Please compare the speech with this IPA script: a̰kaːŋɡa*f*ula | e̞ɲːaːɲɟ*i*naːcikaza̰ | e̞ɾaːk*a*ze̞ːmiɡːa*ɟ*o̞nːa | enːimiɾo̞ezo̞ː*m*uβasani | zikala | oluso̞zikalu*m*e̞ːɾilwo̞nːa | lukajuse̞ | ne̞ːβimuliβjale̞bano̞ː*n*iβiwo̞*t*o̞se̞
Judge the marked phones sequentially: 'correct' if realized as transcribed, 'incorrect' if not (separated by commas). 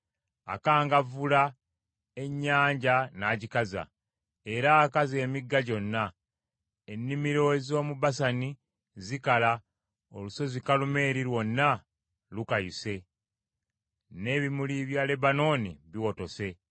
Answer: incorrect, incorrect, correct, correct, correct, correct, correct, correct